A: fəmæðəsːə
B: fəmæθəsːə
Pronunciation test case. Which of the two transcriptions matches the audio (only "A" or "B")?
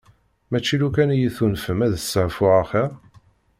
A